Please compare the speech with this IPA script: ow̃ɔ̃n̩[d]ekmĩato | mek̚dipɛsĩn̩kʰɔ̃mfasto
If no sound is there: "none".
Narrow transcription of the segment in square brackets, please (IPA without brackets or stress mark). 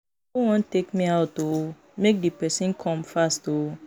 t